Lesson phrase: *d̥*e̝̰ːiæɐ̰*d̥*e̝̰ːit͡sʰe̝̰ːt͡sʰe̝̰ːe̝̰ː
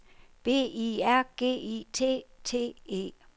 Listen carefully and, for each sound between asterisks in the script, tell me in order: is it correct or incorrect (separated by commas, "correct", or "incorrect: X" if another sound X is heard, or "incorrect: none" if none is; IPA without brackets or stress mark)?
incorrect: b̥, incorrect: ɡ̥